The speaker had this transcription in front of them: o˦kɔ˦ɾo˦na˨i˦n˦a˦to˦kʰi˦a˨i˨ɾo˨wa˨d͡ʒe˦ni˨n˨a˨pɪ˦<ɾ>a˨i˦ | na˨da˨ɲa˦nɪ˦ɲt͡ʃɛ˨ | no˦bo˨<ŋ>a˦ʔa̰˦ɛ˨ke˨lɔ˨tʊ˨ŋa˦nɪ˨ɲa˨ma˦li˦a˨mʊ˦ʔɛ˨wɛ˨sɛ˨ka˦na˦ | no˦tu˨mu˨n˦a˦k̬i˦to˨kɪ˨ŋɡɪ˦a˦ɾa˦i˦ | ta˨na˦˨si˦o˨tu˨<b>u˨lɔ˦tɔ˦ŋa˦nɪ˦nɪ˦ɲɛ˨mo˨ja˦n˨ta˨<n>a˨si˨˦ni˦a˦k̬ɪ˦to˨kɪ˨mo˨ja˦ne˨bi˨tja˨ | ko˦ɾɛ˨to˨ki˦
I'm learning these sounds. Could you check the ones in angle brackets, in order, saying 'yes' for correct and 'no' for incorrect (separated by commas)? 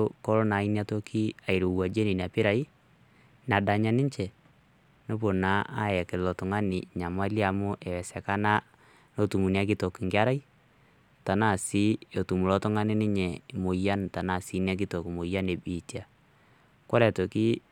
yes, no, no, yes